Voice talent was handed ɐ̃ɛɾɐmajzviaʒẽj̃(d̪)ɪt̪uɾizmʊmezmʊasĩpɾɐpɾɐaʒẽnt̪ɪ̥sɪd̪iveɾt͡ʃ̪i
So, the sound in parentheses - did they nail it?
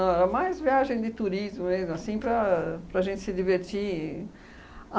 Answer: yes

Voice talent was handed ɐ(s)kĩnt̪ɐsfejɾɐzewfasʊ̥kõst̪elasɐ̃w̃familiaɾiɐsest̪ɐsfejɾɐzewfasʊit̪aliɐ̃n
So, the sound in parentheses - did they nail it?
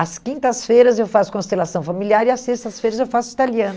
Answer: yes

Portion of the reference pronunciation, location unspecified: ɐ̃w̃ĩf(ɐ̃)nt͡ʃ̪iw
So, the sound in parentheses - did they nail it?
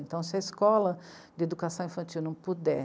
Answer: yes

